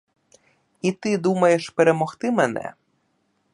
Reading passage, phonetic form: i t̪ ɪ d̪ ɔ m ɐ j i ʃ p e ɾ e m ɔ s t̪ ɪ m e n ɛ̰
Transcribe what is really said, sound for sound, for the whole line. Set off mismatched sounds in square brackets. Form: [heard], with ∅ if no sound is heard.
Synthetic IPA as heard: i t̪ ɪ d̪ [u] m ɐ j [e] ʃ p e ɾ e m ɔ [x] t̪ ɪ m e n ɛ̰